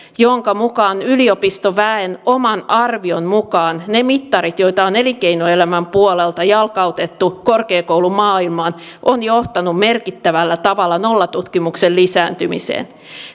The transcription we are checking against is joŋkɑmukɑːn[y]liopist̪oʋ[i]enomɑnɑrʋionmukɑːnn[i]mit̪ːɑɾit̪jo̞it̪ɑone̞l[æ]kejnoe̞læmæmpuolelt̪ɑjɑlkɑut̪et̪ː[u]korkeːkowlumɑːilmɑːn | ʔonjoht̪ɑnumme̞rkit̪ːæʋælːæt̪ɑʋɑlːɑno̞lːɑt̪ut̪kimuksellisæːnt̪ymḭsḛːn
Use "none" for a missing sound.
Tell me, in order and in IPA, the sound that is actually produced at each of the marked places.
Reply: y, æ, e, i, u

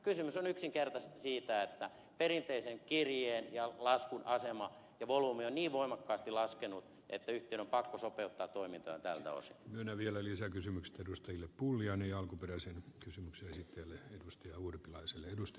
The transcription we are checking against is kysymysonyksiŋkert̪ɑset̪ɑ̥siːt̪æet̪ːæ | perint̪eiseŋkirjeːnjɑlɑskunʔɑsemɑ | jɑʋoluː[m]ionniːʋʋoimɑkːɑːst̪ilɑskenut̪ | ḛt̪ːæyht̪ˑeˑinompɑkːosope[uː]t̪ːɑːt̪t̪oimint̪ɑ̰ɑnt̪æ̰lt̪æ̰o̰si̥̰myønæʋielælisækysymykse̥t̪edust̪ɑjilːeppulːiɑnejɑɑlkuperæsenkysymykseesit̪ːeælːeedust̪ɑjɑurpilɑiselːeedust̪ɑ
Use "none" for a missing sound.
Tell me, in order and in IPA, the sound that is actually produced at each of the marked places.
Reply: m, u

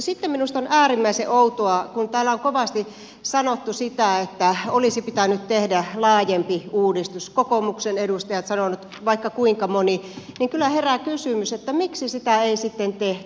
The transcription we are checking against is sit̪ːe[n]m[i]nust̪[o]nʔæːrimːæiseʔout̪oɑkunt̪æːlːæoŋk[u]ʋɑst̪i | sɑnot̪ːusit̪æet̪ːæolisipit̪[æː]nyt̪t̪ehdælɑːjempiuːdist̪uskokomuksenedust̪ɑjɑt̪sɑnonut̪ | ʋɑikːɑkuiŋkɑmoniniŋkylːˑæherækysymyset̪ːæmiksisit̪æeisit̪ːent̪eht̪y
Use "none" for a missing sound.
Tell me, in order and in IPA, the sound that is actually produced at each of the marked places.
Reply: m, i, o, o, æ

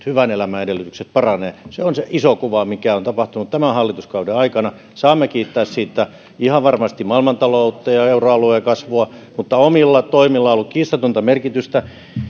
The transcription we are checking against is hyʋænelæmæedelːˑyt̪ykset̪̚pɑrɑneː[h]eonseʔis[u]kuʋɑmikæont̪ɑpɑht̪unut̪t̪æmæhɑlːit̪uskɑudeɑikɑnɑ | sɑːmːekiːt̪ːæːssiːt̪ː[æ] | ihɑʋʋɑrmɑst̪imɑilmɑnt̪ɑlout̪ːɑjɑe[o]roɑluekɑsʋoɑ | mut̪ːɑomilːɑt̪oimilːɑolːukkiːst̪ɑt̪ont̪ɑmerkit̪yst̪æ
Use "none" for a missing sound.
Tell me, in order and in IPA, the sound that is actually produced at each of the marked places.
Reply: s, o, æ, u

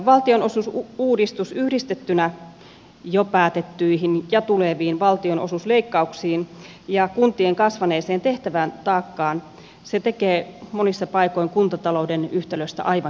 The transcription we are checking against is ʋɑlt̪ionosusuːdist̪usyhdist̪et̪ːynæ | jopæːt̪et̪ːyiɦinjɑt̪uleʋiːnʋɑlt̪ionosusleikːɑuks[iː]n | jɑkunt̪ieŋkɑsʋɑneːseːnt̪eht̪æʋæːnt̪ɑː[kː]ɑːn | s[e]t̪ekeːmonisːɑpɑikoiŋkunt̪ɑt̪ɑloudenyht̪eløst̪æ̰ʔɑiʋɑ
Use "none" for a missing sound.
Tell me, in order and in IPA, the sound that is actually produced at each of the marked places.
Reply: iː, kː, e

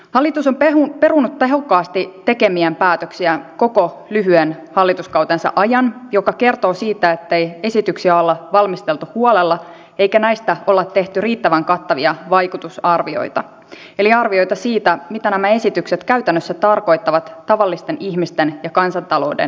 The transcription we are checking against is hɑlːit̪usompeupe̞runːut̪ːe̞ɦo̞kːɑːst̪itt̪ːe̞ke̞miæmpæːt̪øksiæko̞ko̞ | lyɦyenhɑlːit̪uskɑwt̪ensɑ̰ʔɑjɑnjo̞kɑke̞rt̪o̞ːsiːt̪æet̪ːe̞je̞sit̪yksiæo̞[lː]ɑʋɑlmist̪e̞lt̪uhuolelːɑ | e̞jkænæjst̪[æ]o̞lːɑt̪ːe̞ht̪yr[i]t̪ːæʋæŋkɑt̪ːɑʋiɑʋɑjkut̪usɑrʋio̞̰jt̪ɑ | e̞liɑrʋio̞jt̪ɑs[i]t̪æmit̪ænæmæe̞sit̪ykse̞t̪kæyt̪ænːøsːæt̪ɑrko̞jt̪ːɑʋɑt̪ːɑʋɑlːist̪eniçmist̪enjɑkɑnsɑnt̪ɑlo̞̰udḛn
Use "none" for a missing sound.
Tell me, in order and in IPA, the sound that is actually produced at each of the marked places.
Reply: lː, æ, iː, iː

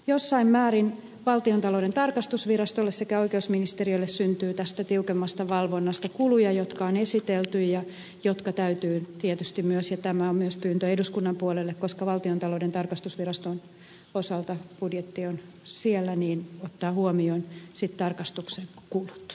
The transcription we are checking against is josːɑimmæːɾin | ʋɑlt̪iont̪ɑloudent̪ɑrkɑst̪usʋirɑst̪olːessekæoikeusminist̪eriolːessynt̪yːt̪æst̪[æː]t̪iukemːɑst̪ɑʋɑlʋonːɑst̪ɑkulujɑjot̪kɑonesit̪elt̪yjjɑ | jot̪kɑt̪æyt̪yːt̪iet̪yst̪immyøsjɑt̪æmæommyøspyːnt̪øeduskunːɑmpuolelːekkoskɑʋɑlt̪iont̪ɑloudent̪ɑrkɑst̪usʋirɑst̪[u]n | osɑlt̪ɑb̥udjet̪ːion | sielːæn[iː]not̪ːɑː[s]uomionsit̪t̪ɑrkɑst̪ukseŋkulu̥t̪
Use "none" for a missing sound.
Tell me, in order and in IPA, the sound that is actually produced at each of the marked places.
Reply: æ, o, iː, h

